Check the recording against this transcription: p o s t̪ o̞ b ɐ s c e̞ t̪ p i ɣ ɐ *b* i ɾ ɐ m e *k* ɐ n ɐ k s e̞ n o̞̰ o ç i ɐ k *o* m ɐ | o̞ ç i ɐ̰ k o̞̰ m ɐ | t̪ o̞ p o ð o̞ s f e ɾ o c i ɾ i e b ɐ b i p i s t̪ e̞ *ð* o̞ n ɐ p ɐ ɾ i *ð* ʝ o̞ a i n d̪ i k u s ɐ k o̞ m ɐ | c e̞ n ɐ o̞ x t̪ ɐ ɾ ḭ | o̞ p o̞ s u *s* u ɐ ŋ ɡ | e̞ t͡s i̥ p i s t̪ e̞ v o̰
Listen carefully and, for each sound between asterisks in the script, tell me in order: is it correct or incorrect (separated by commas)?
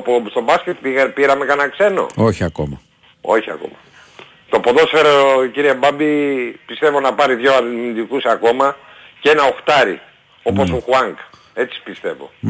incorrect, correct, correct, incorrect, correct, incorrect